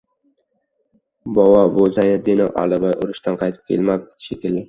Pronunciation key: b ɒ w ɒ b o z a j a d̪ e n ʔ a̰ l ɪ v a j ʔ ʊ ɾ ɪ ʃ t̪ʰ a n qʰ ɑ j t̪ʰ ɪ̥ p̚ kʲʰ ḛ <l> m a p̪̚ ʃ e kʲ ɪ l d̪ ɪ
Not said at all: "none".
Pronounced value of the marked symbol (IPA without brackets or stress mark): l